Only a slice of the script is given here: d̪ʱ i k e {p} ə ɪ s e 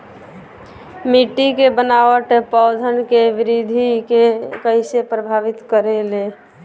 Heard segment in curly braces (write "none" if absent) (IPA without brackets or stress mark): k